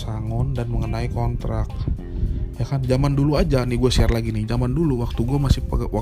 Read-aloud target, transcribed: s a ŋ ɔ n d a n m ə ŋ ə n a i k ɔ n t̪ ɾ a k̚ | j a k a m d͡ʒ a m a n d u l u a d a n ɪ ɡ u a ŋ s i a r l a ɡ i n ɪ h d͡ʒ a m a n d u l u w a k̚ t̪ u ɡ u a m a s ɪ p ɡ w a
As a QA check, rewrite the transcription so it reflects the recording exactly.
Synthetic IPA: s a ŋ ɔ n d a n m ə ŋ ə n a i k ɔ n t̪ ɾ a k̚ | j a k a n d͡ʒ a m a n d u l u a d͡ʒ a n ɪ ɡ u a s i a r l a ɡ i n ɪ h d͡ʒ a m a n d u l u w a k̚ t̪ u ɡ u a m a s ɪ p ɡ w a